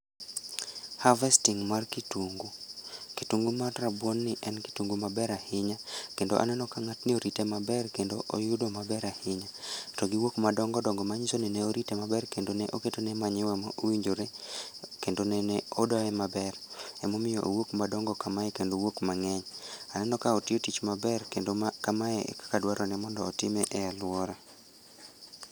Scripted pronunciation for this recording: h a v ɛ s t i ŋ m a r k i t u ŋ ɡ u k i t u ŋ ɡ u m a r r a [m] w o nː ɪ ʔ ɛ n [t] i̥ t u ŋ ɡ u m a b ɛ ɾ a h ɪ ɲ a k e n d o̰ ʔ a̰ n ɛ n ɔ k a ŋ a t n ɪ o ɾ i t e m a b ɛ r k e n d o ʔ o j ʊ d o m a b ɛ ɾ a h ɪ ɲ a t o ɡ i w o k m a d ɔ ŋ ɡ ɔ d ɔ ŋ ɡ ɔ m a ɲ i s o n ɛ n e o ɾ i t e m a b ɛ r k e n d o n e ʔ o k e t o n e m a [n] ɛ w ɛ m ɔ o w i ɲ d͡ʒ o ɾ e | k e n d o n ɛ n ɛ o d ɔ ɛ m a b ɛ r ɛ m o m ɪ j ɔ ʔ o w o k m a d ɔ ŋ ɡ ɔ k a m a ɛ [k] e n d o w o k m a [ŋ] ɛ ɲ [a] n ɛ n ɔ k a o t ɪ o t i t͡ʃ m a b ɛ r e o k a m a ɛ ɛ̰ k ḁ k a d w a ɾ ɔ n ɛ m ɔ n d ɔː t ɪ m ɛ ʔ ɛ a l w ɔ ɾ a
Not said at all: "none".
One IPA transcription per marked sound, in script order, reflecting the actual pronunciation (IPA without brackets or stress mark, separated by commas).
b, k, ɲ, k, ŋ, a